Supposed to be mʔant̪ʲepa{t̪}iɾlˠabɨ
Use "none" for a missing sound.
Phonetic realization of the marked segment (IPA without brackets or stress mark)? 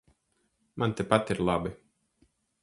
t̪